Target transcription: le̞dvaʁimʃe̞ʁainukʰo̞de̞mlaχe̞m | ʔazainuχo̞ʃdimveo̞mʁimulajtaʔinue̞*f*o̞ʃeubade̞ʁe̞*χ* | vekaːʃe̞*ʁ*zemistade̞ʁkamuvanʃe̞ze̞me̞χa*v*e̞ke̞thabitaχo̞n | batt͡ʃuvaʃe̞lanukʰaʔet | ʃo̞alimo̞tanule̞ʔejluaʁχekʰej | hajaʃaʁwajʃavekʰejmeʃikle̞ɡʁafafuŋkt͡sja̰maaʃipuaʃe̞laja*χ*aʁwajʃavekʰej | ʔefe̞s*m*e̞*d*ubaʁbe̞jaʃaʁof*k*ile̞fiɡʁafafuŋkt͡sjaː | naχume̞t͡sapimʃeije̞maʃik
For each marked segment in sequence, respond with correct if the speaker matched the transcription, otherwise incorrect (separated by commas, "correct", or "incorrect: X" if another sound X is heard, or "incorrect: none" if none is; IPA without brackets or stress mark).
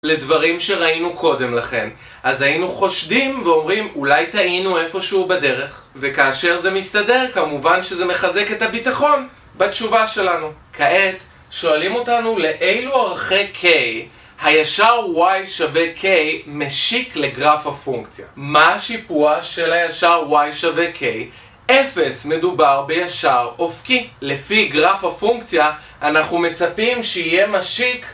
correct, correct, correct, incorrect: z, incorrect: ʃ, correct, correct, correct